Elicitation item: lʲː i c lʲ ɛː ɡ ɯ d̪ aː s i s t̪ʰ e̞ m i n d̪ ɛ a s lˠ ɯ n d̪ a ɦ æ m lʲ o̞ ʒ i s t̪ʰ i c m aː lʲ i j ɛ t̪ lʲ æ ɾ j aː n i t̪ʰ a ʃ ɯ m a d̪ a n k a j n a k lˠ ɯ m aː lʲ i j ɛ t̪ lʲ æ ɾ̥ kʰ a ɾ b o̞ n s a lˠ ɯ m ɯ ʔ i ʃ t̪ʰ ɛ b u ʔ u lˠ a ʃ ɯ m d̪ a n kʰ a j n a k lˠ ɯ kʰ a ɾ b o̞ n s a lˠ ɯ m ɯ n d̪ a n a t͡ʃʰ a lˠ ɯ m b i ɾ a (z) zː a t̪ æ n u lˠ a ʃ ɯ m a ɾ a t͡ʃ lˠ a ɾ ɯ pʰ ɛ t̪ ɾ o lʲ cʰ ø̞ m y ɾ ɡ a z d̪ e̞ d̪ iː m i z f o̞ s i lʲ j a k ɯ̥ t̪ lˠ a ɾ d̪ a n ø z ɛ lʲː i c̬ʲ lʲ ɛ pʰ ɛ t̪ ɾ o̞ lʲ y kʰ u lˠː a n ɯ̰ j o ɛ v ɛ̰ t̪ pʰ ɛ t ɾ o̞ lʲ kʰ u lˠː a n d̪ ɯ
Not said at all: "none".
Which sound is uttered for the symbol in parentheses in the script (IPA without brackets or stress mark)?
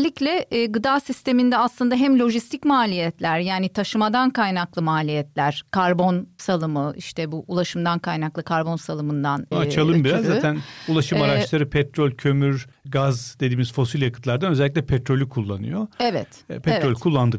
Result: z